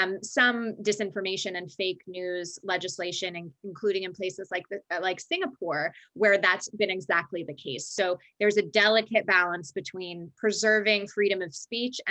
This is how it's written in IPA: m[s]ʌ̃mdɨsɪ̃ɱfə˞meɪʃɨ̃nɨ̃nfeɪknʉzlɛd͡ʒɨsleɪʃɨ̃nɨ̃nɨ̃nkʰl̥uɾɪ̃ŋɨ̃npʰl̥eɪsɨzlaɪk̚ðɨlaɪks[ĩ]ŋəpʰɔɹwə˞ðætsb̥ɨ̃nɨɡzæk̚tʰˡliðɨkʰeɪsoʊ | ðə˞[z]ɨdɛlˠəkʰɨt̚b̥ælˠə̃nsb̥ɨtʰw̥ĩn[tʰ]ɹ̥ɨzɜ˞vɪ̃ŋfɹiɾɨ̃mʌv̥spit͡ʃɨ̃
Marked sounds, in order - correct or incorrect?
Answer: correct, incorrect: ɪ̃, correct, incorrect: pʰ

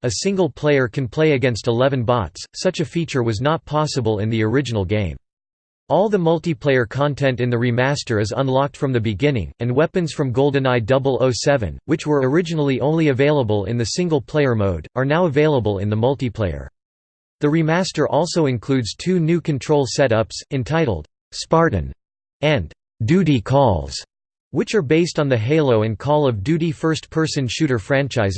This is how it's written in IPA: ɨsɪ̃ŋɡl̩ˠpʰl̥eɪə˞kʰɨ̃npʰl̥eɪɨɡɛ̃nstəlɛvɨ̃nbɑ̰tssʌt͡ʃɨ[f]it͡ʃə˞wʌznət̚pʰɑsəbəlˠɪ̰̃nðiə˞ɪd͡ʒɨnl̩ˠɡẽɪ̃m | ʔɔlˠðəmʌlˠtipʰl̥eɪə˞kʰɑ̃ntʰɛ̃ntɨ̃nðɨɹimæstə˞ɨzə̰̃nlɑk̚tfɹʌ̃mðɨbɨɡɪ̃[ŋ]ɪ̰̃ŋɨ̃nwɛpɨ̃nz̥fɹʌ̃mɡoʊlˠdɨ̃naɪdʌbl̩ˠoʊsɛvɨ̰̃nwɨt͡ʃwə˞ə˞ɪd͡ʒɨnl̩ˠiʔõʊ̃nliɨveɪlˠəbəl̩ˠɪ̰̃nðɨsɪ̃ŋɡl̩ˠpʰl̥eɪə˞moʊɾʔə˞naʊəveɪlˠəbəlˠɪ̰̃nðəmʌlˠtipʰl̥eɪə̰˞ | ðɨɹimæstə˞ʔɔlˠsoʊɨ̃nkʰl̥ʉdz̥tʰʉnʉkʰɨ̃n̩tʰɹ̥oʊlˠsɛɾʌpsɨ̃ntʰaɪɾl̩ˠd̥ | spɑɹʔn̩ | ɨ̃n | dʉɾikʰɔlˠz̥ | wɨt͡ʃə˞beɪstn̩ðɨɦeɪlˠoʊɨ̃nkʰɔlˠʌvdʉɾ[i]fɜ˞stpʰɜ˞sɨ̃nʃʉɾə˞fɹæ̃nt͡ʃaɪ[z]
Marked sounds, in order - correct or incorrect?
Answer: correct, incorrect: n, correct, correct

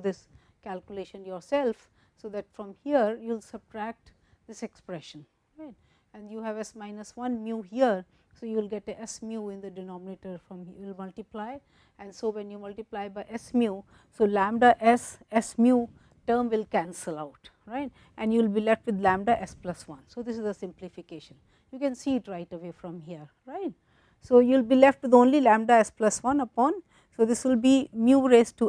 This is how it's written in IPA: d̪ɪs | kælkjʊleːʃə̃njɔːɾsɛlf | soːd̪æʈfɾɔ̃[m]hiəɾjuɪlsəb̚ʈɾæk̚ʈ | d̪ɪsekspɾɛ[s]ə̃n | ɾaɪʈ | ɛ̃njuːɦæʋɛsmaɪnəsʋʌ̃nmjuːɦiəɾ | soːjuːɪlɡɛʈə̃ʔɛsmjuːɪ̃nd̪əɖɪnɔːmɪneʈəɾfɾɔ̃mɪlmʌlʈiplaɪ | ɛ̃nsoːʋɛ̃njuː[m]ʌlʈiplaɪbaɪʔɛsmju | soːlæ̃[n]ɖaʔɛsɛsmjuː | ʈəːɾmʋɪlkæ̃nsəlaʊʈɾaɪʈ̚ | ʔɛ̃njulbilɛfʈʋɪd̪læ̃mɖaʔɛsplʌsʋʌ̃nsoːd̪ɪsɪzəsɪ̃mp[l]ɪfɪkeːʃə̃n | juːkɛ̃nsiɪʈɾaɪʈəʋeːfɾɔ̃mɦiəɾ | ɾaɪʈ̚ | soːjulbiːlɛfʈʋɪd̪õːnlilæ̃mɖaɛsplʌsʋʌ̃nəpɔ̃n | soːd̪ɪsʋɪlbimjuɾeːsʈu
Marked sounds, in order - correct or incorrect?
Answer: correct, incorrect: ʃ, correct, incorrect: m, correct

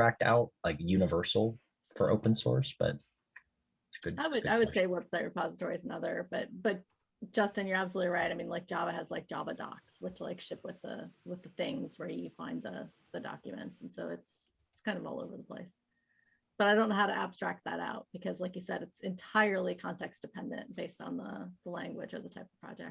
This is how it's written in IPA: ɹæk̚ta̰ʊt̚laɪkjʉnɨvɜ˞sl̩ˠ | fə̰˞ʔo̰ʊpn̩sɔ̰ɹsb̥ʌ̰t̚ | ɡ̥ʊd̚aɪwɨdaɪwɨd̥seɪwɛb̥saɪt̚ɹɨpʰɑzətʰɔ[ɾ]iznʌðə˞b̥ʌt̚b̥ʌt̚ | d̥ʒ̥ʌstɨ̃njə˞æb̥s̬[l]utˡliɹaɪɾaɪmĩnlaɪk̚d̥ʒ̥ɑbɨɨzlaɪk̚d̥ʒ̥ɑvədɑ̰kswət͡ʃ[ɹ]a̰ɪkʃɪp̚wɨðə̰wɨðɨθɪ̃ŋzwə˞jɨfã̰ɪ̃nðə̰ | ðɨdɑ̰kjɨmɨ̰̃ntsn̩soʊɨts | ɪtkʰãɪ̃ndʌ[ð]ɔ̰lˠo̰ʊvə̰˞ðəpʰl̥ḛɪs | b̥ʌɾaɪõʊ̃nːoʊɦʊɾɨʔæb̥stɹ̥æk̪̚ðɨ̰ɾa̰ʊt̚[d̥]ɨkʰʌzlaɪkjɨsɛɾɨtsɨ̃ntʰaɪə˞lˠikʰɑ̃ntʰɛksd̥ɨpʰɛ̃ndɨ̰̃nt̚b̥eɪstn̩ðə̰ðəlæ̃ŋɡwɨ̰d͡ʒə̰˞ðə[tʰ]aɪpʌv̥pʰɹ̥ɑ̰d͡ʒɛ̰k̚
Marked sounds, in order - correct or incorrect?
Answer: incorrect: ɹ, correct, incorrect: l, incorrect: v, incorrect: b̥, correct

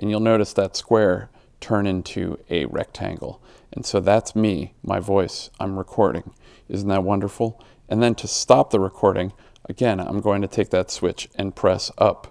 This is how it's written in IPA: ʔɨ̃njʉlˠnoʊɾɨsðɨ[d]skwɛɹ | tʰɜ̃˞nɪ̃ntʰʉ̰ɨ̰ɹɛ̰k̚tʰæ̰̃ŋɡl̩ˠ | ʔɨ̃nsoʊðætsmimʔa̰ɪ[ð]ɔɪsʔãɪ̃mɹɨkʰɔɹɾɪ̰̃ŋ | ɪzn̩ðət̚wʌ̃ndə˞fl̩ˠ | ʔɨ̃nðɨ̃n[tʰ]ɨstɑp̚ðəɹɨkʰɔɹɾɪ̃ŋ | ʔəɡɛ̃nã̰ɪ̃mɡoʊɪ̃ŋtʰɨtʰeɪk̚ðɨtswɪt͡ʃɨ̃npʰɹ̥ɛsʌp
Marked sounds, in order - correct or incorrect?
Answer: incorrect: t, incorrect: v, correct

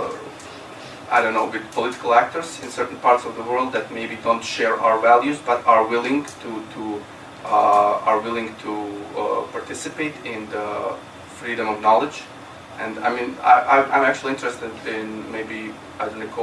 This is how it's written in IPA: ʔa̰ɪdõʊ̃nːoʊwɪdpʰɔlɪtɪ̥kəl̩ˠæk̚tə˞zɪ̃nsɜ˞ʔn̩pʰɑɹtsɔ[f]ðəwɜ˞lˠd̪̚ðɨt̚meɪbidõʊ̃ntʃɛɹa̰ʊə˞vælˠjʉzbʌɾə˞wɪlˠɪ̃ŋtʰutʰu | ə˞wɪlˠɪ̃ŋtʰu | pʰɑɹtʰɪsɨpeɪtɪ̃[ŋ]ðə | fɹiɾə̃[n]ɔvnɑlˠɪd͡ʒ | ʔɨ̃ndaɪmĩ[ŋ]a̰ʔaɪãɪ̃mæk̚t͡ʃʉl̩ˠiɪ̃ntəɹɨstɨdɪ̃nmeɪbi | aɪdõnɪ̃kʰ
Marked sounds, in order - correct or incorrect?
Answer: incorrect: v, incorrect: n, incorrect: m, incorrect: n

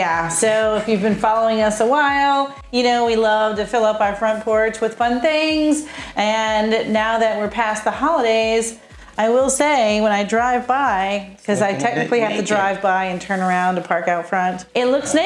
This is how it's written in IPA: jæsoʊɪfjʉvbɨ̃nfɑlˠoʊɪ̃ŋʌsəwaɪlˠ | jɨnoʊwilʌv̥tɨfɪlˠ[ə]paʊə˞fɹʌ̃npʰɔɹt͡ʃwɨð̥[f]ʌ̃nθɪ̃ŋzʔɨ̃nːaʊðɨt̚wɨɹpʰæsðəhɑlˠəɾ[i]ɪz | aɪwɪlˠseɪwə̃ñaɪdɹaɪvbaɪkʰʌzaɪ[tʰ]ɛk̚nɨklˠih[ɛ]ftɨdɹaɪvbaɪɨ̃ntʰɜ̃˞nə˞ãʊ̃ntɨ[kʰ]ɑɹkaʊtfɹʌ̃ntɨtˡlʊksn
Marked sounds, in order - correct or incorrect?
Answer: incorrect: ʌ, correct, incorrect: e, correct, incorrect: æ, incorrect: pʰ

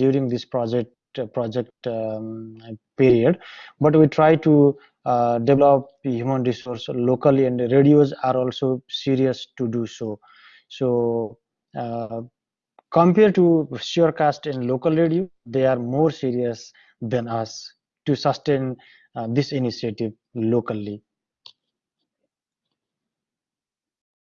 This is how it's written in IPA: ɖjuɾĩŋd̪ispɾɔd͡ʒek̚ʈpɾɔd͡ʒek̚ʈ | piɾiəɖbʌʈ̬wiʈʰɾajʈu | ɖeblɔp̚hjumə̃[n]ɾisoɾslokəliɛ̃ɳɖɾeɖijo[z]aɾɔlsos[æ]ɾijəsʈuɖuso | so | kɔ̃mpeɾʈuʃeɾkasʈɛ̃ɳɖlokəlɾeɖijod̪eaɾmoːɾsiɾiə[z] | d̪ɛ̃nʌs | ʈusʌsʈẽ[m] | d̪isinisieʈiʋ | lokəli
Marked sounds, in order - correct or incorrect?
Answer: correct, correct, incorrect: i, incorrect: s, incorrect: n

